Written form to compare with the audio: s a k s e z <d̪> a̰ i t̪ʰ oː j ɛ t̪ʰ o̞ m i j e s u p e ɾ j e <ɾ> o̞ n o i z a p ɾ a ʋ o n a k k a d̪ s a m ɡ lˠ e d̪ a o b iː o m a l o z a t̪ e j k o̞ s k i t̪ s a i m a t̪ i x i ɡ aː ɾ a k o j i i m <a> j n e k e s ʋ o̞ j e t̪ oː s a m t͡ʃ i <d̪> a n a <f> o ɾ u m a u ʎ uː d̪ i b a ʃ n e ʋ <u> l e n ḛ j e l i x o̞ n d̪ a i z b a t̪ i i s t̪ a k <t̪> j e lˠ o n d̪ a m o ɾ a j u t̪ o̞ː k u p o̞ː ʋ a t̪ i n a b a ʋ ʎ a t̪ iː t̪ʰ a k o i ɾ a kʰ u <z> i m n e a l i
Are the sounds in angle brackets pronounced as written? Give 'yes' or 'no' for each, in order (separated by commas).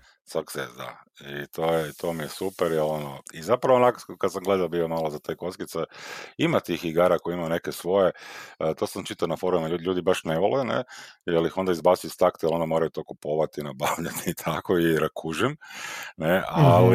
yes, no, yes, no, yes, no, yes, no